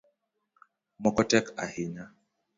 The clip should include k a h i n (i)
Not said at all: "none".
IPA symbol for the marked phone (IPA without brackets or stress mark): a